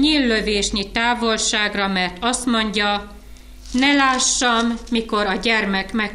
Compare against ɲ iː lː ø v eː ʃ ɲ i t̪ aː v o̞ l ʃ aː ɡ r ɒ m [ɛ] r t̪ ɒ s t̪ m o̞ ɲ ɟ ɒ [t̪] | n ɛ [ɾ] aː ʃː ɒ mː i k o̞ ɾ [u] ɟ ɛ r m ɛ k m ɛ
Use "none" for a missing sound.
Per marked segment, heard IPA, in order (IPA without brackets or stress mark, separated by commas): ɛ, none, l, ɒ